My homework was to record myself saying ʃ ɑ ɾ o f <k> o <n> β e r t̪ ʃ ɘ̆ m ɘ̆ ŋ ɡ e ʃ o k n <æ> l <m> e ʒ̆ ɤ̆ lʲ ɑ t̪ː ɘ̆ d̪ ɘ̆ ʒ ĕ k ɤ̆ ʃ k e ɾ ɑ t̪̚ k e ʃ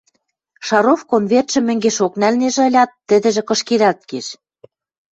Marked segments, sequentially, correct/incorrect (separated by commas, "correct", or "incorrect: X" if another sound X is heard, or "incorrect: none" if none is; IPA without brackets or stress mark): correct, correct, correct, incorrect: n